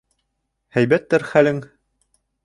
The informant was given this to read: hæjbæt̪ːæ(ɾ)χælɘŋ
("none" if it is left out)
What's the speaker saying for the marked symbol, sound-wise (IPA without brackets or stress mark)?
ɾ